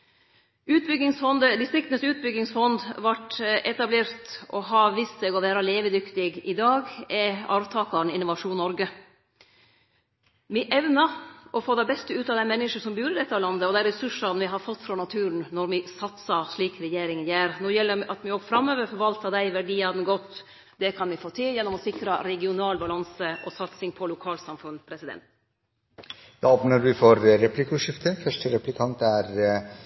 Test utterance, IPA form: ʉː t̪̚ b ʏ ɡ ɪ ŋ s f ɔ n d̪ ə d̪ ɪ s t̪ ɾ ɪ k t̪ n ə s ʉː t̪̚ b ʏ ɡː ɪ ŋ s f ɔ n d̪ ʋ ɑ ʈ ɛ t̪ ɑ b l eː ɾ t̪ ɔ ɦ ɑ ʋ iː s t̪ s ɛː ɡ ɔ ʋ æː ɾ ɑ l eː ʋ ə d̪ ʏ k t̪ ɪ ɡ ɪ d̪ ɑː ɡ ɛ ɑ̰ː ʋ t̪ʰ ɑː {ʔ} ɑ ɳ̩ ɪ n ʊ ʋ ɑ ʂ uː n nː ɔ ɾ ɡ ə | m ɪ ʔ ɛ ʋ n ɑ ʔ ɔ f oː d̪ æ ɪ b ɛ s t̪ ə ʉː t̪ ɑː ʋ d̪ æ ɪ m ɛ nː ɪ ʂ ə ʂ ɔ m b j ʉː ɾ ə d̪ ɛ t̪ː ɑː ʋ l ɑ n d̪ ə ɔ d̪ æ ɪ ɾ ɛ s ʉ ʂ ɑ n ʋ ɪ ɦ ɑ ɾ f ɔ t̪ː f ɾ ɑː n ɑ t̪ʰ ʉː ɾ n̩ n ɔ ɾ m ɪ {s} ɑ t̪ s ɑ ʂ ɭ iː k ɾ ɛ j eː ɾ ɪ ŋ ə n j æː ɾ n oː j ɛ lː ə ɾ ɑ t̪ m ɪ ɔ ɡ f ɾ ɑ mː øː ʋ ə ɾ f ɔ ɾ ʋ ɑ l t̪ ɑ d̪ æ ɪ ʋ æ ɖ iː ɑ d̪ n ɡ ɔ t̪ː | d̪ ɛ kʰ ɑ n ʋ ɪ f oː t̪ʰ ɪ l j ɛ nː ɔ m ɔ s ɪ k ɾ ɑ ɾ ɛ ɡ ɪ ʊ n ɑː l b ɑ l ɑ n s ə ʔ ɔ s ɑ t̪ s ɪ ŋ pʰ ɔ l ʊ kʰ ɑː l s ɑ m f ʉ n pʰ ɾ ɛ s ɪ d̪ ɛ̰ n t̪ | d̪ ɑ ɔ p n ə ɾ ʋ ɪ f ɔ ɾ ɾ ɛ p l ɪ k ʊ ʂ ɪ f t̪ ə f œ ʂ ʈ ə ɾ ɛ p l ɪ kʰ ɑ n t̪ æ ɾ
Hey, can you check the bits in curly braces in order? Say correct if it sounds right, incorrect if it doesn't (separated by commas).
incorrect, correct